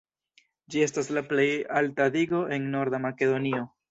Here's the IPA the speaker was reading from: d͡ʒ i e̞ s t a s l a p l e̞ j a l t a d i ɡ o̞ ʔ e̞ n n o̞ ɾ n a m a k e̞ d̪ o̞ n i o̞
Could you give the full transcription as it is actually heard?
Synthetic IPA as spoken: d͡ʒ i e̞ s t a s l a p l e̞ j a l t a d i ɡ o̞ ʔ e̞ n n o̞ ɾ d a m a k e̞ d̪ o̞ n i o̞